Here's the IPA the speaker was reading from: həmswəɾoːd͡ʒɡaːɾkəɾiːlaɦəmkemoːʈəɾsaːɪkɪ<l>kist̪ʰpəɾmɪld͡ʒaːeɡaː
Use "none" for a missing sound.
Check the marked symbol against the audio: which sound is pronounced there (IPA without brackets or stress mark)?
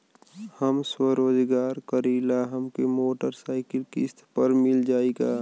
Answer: l